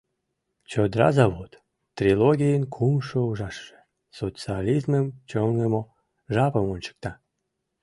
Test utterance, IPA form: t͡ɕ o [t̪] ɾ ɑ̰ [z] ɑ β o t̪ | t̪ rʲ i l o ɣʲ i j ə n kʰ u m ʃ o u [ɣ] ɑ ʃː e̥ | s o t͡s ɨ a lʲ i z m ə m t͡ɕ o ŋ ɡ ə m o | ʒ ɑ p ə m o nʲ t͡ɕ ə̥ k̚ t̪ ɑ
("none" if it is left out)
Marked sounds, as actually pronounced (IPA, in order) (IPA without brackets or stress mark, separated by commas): d̪, z, ʒ